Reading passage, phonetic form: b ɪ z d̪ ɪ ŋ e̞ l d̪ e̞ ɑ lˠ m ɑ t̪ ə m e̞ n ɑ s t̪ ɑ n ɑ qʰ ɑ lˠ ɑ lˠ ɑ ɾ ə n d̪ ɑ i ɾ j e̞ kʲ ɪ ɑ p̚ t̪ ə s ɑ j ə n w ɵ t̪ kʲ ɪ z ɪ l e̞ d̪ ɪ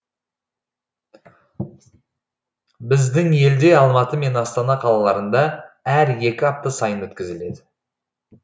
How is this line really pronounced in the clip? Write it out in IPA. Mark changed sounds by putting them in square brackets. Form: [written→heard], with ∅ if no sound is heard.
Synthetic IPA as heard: b ɪ z d̪ ɪ ŋ e̞ l d̪ e̞ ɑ lˠ m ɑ t̪ ə m e̞ n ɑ s t̪ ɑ n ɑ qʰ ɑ lˠ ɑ lˠ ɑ ɾ ə n d̪ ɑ [i→æ] ɾ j e̞ kʲ ɪ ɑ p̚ t̪ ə s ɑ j ə n w ɵ t̪ kʲ ɪ z ɪ l e̞ d̪ ɪ